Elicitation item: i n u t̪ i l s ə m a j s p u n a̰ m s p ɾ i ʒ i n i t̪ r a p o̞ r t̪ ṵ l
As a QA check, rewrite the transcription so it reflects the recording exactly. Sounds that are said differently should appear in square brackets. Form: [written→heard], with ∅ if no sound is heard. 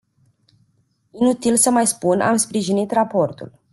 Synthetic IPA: i n u t̪ i l s ə m a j s p u n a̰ m s p ɾ i ʒ i n i t̪ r a p o̞ r t̪ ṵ l